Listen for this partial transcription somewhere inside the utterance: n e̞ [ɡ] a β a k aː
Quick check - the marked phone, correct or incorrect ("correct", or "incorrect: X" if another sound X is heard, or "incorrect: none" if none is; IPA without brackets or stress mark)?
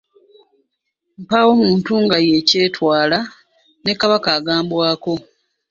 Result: incorrect: k